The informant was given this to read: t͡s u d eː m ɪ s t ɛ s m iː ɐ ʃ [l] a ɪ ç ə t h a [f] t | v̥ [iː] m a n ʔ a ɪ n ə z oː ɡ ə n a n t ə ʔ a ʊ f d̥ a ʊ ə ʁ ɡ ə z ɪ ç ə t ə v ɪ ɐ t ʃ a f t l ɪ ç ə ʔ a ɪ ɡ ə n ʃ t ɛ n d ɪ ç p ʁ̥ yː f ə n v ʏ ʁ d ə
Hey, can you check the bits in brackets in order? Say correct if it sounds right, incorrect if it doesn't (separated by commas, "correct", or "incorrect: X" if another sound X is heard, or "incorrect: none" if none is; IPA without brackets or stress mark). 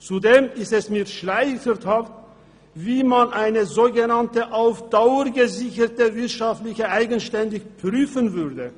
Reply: correct, correct, correct